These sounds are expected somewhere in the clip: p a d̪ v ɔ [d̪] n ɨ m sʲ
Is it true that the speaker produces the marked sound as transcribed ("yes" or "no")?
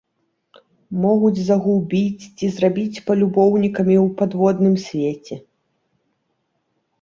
yes